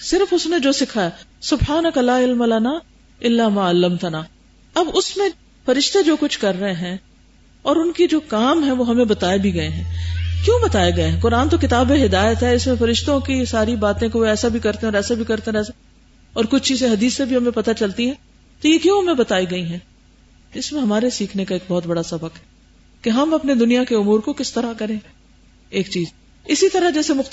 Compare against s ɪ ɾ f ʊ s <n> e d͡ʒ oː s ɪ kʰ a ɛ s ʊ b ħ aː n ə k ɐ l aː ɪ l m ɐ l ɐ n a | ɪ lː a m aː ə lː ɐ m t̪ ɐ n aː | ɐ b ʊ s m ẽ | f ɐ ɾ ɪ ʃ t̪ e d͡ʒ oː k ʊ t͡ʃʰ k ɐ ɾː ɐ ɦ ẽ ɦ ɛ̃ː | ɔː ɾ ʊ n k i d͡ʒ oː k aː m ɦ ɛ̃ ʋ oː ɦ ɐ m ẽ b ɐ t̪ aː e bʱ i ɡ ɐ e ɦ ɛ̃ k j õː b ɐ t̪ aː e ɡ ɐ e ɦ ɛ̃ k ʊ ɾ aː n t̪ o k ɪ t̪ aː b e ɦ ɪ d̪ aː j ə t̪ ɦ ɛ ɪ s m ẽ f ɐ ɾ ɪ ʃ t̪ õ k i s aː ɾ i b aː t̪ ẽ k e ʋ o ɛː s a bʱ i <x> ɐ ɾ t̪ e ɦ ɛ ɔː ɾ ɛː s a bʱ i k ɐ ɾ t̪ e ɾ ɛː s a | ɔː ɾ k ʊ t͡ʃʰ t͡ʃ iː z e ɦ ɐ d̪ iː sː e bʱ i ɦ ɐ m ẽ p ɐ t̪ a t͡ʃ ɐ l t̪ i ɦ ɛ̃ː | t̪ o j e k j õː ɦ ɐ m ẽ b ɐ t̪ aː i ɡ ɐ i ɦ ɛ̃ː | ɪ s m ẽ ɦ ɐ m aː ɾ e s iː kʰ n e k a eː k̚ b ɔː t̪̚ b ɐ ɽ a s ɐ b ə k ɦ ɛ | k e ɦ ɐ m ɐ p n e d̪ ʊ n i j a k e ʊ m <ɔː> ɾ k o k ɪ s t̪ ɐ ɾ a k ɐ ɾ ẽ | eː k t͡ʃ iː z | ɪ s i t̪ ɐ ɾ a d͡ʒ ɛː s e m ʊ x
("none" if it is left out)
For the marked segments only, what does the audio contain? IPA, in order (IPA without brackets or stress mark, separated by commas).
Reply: n, k, uː